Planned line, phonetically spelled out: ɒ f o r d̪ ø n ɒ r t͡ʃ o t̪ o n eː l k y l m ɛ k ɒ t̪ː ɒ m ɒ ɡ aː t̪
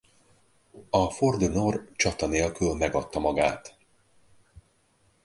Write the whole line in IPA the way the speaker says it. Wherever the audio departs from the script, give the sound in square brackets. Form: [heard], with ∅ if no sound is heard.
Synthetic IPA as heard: ɒ f o r d̪ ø n [o] r t͡ʃ [ɒ] t̪ [ɒ] n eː l k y l m ɛ [ɡ] ɒ t̪ː ɒ m ɒ ɡ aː t̪